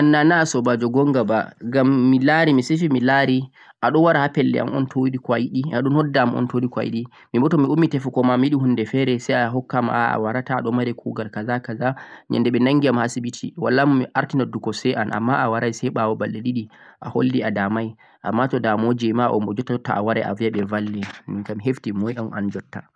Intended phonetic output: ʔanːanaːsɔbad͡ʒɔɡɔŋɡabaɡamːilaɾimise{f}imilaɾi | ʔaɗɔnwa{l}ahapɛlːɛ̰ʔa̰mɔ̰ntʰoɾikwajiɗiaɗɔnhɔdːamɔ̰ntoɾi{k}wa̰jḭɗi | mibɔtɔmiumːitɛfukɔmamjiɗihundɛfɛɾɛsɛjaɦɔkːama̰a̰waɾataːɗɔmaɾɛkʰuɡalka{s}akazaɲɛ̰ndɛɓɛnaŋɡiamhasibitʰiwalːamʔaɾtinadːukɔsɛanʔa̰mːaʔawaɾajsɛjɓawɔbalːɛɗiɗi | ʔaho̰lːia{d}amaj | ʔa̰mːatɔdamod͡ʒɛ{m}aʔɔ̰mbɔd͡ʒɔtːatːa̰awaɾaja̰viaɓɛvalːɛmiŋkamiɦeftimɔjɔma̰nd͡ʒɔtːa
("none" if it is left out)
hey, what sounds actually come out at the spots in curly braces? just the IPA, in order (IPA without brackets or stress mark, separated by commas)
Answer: f, ɾ, k, z, d, m